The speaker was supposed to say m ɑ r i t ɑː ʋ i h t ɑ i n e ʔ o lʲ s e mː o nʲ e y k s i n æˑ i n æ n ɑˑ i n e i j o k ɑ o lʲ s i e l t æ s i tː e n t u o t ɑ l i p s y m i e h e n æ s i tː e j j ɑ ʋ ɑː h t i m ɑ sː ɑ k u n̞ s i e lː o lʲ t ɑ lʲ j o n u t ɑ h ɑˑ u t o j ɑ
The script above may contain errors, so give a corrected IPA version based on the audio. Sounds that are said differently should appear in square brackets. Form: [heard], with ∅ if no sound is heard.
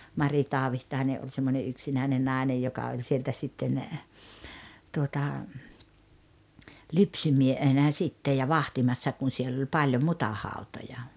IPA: m ɑ r i t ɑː ʋ i h t ɑ i n e ʔ o lʲ s e mː o nʲ e y k s i n æˑ i n [e] n ɑˑ i n e [j] j o k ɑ o lʲ s i e l t æ s i tː e n t u o t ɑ l [y] p s y m i e h e n æ s i tː e j j ɑ ʋ [ɑ] h t i m ɑ sː ɑ k u n̞ s i e lː o lʲ [p] ɑ lʲ j o [m] u t ɑ h ɑˑ u t o j ɑ